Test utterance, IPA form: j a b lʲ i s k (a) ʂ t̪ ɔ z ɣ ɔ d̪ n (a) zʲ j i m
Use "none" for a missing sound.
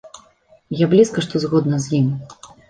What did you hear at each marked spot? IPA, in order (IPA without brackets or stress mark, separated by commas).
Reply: ɐ, ɐ